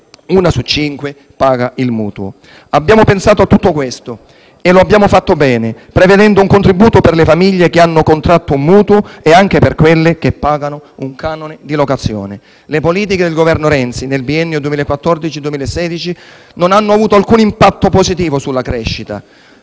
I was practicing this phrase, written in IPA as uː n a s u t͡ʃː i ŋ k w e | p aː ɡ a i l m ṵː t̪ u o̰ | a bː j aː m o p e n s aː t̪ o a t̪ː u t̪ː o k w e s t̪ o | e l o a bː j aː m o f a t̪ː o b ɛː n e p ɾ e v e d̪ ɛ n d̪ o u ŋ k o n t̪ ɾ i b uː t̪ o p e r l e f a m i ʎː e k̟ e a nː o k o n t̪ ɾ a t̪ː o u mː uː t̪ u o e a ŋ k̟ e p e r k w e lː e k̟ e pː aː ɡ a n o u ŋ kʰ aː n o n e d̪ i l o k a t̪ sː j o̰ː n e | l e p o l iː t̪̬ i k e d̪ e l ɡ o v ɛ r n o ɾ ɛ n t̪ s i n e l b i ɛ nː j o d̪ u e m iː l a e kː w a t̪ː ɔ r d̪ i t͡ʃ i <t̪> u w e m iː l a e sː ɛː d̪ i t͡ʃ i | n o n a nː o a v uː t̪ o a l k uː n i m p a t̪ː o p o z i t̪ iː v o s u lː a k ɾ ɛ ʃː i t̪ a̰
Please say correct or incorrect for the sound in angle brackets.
incorrect